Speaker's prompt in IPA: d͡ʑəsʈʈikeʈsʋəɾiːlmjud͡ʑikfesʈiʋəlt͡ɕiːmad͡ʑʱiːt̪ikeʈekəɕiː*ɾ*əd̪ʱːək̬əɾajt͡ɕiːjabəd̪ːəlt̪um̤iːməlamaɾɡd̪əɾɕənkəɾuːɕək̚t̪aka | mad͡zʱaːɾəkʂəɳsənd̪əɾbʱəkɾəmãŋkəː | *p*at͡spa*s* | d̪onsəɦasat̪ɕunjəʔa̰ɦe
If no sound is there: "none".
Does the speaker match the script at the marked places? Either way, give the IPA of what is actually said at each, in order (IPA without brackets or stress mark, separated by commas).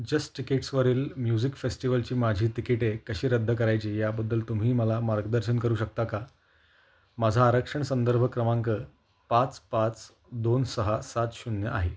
ɾ, p, t͡s